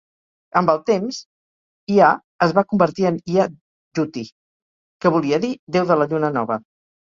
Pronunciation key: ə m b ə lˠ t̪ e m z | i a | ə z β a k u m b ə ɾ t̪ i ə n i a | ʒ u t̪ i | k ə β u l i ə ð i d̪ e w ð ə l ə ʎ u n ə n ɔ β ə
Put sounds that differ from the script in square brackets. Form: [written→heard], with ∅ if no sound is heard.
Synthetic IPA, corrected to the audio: ə m b ə lˠ t̪ e m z | i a | ə z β a k u m b ə ɾ t̪ i ə n i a | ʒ u t̪ i | k ə β u l i ə ð i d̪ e w ð ə l ə ʎ u n ə n ɔ β ə